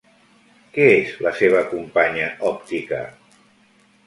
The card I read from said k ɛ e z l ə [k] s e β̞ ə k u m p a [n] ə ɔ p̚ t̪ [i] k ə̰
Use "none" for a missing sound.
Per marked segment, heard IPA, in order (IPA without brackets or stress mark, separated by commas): none, ɲ, i